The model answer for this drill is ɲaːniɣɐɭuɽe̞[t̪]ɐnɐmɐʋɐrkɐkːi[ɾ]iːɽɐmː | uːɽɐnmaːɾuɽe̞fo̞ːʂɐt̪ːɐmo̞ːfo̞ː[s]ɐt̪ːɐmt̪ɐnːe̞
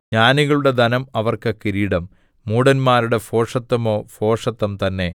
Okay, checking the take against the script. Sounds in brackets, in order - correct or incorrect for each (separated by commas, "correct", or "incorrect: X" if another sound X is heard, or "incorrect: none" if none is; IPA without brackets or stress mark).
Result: incorrect: d̪, correct, incorrect: ʂ